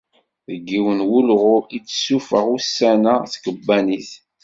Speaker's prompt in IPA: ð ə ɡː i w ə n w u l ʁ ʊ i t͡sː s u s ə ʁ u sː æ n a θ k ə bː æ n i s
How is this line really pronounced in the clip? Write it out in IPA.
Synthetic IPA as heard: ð ə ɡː i w ə n w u l ʁ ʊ i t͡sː s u f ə ʁ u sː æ n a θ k ə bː æ n i θ